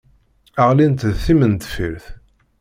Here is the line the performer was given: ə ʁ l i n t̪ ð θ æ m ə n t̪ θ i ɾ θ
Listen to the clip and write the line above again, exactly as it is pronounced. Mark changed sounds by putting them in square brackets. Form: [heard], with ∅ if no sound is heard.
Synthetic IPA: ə ʁ l i n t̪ ð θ [i] m ə n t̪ [f] i ɾ θ

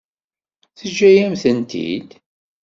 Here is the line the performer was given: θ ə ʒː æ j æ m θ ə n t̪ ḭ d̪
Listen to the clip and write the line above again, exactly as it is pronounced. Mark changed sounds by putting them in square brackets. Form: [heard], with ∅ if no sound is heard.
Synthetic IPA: θ ə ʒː æ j æ m θ ə n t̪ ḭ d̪

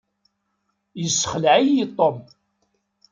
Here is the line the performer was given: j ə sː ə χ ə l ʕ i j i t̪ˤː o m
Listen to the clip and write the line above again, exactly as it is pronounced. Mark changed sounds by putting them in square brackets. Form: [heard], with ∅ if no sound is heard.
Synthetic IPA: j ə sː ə χ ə l ʕ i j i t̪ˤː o m

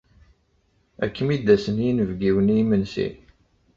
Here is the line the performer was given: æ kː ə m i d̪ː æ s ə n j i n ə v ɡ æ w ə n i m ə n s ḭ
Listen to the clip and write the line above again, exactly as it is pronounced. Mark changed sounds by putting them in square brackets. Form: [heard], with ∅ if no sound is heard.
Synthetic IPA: æ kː ə m i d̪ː æ s ə n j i n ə v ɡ [i] w ə n i m ə n s ḭ

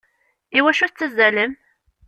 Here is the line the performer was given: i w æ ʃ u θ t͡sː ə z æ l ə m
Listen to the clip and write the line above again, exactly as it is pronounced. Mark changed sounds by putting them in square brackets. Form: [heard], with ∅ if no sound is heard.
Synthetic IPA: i w æ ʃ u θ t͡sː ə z æ l ə m

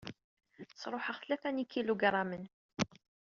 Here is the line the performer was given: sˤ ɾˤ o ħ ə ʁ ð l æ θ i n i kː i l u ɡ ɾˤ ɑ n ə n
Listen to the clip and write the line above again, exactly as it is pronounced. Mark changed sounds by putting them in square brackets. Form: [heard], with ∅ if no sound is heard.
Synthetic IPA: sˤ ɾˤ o ħ ə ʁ [θ] l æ θ [æ] n i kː i l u ɡ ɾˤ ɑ [m] ə n

